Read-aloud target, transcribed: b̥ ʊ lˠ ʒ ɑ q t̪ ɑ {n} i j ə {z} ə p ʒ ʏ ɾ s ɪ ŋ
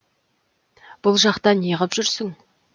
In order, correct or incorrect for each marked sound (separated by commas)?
correct, incorrect